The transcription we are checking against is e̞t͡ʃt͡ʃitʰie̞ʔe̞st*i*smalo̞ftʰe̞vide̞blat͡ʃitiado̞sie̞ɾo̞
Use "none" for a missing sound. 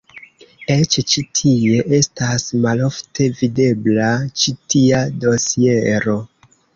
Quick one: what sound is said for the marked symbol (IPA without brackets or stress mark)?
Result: a